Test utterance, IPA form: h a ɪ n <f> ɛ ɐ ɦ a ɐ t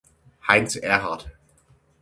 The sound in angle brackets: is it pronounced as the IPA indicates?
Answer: no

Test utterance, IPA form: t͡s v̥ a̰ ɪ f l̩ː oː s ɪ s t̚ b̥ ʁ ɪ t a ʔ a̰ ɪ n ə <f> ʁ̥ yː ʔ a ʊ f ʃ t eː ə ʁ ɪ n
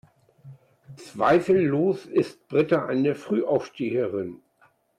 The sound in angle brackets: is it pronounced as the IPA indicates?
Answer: yes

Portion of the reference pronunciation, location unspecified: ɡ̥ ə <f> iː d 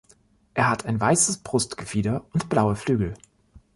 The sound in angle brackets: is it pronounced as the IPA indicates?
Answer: yes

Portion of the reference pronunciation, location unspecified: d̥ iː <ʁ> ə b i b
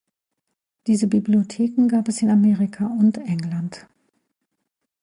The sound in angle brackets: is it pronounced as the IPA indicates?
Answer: no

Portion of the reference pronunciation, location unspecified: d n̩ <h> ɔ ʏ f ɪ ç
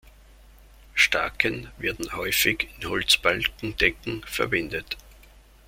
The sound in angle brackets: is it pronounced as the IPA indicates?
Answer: yes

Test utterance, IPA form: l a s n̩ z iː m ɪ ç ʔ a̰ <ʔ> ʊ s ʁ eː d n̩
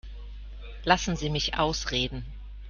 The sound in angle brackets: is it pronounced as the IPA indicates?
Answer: no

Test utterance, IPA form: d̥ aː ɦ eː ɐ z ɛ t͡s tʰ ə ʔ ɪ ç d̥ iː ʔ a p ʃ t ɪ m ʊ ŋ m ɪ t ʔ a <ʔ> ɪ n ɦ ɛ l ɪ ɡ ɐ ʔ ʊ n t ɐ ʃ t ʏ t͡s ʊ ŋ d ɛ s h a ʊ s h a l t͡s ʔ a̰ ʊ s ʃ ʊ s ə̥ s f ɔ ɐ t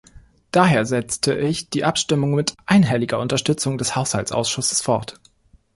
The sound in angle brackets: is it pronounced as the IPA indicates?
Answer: no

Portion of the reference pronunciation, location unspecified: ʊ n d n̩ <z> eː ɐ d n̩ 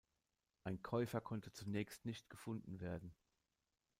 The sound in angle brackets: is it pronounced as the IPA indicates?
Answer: no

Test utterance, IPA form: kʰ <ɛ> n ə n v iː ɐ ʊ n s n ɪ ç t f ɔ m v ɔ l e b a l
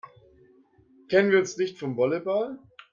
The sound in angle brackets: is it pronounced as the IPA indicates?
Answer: yes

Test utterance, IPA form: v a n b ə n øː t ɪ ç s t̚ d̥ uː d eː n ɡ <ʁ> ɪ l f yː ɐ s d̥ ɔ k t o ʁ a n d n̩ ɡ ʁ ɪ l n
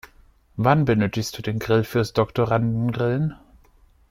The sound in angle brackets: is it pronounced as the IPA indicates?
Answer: yes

